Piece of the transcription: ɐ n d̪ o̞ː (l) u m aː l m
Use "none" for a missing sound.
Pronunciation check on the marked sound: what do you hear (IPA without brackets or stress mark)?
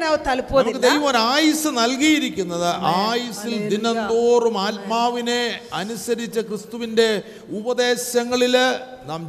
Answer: r